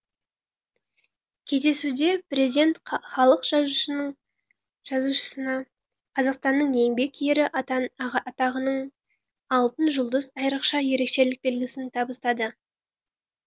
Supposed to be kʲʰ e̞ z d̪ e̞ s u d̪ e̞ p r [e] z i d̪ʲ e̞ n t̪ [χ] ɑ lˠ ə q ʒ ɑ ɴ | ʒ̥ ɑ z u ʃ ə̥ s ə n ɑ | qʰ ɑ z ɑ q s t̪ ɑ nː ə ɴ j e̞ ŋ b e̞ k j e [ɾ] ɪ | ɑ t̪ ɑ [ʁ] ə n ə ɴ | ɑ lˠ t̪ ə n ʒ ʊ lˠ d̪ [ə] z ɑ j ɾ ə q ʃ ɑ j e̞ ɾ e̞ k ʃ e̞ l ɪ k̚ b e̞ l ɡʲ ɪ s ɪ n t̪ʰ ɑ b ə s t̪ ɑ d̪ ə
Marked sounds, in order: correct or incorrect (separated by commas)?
correct, correct, correct, correct, correct